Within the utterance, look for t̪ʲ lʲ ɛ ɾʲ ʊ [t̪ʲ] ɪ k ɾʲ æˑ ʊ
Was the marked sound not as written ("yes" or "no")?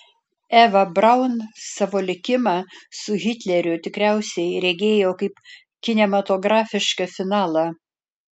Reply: no